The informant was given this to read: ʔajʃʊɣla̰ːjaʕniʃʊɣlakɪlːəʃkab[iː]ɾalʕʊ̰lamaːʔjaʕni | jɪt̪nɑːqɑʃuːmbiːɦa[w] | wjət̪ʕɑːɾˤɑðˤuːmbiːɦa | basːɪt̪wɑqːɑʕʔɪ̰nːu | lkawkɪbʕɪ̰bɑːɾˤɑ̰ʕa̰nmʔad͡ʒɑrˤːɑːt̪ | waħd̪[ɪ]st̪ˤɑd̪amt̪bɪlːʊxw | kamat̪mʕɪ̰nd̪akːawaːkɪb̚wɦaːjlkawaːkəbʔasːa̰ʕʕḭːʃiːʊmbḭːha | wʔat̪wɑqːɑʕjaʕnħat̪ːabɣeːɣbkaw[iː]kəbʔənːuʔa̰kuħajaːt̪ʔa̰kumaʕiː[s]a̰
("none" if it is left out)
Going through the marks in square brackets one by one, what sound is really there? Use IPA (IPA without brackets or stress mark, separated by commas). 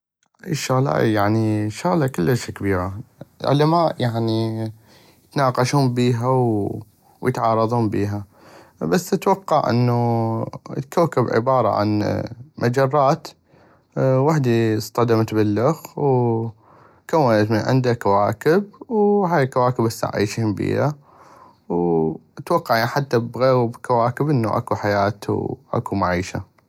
iː, w, i, aː, ʃ